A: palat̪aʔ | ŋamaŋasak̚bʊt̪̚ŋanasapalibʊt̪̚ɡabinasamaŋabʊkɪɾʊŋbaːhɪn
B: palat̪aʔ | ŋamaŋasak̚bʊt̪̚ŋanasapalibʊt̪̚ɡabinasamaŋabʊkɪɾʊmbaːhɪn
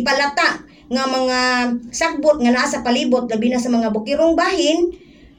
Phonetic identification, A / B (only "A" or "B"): A